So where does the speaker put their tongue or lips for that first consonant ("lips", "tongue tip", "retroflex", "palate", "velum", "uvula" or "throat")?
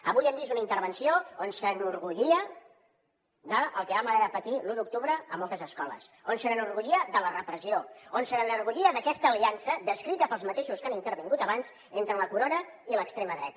lips